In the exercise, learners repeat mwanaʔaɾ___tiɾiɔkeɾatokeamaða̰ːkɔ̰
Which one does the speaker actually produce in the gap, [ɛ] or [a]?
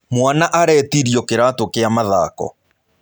ɛ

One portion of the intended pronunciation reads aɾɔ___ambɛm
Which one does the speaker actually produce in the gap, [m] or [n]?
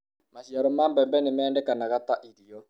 m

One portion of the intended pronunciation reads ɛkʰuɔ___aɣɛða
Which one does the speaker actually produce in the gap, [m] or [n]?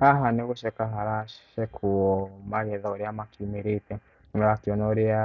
m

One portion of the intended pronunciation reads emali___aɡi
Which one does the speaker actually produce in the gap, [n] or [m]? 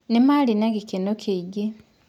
n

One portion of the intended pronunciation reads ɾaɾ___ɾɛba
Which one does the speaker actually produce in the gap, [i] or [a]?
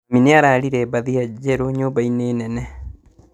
i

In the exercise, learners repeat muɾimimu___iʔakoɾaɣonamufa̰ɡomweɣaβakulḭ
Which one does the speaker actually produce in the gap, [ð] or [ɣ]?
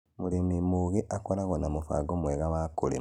ɣ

